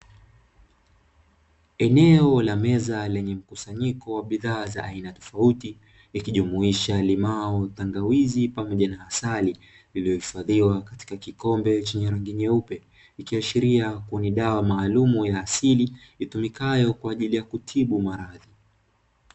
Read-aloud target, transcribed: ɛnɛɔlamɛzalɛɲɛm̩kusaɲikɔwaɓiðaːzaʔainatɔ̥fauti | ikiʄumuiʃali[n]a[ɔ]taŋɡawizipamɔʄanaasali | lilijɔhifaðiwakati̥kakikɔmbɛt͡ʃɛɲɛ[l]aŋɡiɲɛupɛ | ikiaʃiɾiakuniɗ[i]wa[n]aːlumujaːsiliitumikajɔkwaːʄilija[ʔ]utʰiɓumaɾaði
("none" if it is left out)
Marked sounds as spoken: m, ɔ, ɾ, a, m, k

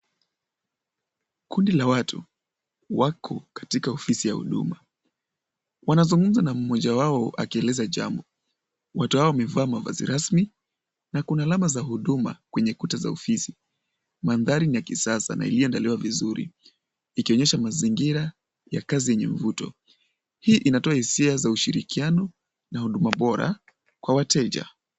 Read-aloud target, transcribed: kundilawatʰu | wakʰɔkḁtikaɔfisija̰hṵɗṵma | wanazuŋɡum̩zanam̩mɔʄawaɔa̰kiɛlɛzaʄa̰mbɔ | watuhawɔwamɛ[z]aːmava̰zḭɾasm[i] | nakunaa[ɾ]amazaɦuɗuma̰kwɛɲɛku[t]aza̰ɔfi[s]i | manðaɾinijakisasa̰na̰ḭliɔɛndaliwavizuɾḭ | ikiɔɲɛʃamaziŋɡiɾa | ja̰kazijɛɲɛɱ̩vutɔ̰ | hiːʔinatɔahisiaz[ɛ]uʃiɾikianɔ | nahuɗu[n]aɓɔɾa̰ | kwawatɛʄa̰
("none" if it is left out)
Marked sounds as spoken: v, i, l, t, s, a, m

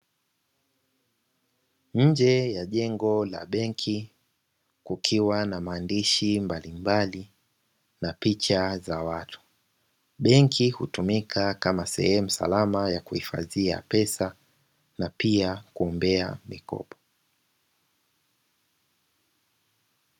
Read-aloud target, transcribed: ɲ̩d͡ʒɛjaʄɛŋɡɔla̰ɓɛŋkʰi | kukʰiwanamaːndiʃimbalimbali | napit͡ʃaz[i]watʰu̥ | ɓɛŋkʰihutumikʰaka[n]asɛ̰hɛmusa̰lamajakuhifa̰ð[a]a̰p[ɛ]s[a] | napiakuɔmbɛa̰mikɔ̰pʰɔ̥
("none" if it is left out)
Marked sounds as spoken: a, m, i, ɛ, a

